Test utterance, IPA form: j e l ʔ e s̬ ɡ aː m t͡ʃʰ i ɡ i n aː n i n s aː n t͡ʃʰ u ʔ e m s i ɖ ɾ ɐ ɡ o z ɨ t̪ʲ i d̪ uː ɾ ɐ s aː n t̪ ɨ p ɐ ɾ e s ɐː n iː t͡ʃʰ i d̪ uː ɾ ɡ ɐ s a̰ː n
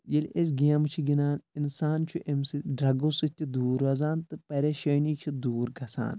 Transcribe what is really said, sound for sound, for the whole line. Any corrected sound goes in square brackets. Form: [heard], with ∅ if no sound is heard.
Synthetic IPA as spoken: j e l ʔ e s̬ ɡ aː m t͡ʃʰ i ɡ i n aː n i n s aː n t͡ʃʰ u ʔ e m s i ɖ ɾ ɐ ɡ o [s] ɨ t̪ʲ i d̪ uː ɾ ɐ [z] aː n t̪ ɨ p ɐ ɾ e [ʃ] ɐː n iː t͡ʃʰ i d̪ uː ɾ ɡ ɐ s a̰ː n